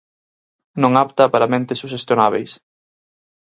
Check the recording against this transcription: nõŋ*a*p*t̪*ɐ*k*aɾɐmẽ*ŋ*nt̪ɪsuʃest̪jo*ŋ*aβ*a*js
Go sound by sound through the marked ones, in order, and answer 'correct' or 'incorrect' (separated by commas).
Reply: correct, correct, incorrect, incorrect, incorrect, incorrect